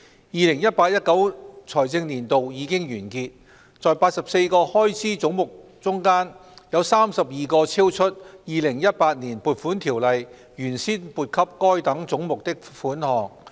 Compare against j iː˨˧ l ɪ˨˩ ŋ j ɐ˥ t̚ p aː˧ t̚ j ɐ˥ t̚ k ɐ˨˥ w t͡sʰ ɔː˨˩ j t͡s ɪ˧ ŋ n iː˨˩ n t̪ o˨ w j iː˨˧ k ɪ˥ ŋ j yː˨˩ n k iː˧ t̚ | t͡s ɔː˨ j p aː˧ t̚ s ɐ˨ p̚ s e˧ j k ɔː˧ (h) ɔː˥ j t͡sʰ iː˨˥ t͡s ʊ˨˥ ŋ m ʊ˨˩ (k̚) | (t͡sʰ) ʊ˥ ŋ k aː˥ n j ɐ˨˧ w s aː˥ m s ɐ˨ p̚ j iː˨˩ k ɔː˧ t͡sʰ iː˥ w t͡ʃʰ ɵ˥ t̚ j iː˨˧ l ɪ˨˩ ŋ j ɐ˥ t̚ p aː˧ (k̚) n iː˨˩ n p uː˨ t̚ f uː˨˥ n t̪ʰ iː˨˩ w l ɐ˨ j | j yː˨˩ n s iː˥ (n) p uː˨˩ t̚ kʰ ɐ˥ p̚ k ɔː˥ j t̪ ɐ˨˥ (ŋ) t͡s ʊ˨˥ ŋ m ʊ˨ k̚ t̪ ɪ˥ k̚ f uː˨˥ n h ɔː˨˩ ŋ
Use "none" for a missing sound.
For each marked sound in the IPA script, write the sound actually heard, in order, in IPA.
h, k̚, t͡s, t̚, n, ŋ

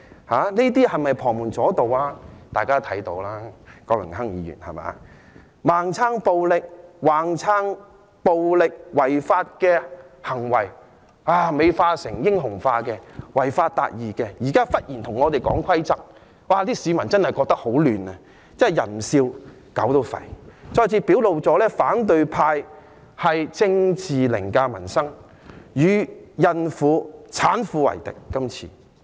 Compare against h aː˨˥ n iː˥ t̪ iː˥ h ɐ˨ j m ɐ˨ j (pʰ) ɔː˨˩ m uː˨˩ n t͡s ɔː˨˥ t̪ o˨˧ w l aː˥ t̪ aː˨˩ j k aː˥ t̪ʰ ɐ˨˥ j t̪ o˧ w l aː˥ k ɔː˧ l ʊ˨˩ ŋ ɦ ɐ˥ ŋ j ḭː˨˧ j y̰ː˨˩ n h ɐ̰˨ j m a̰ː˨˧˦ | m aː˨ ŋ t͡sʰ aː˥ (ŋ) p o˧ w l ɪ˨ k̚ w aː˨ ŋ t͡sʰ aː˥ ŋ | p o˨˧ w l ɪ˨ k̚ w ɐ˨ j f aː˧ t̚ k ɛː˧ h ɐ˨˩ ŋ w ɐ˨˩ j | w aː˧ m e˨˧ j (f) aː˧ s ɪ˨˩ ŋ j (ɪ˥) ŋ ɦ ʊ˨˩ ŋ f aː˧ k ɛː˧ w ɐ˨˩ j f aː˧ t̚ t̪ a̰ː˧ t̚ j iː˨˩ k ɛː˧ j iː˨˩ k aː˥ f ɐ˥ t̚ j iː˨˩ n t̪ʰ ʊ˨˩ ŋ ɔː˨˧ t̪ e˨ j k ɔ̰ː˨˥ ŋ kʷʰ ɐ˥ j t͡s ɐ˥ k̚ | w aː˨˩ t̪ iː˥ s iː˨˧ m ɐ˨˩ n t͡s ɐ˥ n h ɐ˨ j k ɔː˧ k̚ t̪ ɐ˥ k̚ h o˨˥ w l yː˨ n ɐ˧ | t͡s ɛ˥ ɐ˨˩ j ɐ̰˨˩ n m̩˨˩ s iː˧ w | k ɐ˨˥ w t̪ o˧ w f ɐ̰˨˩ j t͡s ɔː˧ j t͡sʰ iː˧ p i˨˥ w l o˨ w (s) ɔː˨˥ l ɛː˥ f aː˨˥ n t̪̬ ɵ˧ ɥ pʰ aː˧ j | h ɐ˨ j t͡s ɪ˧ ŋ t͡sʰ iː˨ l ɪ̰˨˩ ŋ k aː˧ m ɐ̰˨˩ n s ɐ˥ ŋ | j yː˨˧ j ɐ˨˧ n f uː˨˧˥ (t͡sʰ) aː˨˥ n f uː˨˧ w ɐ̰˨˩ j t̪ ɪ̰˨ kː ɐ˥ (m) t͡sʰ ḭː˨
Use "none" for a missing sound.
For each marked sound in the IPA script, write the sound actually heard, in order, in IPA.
pʰ, ŋ, f, ɪ˥, t͡s, t͡sʰ, m

